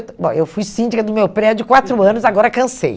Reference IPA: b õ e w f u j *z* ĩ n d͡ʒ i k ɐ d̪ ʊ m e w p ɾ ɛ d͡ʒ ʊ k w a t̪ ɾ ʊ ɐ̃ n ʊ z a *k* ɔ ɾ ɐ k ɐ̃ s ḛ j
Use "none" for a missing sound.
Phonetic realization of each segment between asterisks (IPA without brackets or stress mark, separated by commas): s, ɡ